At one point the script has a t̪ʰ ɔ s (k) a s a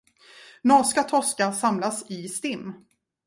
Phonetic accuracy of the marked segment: correct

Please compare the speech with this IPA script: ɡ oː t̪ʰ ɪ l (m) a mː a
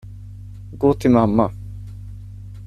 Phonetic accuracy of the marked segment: correct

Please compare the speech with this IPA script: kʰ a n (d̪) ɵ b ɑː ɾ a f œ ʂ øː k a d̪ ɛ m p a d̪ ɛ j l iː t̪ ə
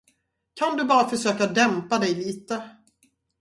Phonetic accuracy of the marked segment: correct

